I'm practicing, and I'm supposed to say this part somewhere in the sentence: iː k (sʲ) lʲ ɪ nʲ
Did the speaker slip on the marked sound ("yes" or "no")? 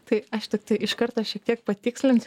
no